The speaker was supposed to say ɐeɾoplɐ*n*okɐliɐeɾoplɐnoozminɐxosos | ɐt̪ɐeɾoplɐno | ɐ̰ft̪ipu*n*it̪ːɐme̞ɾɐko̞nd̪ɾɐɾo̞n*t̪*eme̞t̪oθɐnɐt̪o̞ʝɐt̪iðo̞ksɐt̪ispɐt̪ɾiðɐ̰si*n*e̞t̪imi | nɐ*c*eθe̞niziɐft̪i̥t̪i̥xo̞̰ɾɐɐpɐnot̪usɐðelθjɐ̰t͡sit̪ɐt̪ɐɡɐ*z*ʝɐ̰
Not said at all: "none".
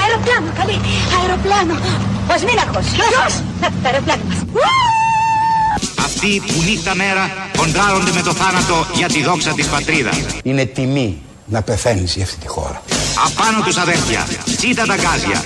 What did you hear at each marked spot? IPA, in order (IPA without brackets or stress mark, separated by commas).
n, n, d̪, n, p, z